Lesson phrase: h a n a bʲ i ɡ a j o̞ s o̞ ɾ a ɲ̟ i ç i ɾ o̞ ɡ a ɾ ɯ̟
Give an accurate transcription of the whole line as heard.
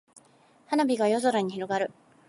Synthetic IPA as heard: h a n a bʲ i ɡ a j o̞ z o̞ ɾ a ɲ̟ i ç i ɾ o̞ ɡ a ɾ ɯ̟